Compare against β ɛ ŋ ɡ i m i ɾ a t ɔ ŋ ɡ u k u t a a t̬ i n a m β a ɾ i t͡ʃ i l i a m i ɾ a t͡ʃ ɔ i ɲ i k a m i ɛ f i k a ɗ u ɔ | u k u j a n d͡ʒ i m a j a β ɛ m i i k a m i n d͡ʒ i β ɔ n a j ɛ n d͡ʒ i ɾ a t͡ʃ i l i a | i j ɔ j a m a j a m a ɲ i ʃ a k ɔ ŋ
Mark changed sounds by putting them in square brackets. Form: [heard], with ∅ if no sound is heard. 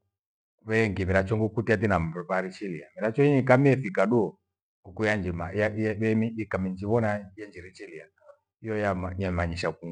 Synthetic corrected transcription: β ɛ ŋ ɡ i m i ɾ a [t͡ʃ] ɔ ŋ ɡ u k u t [i] a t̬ i n a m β a ɾ i t͡ʃ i l i a m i ɾ a t͡ʃ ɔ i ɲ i k a m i ɛ f i k a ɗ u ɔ | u k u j a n d͡ʒ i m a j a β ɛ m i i k a m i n d͡ʒ i β ɔ n a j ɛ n d͡ʒ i ɾ [i] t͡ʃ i l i a | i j ɔ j a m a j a m a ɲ i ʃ a k [u] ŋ